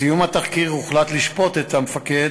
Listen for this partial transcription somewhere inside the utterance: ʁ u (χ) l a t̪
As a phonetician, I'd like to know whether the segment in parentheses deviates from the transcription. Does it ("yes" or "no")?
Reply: no